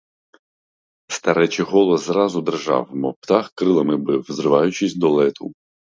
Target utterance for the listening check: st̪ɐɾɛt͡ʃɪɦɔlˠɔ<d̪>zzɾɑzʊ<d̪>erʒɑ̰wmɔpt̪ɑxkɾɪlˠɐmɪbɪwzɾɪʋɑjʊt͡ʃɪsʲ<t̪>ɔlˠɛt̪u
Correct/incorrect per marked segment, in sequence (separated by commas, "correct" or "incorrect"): incorrect, correct, incorrect